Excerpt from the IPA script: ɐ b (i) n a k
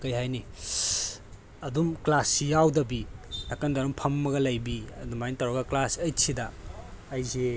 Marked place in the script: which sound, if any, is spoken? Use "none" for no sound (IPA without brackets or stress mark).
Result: i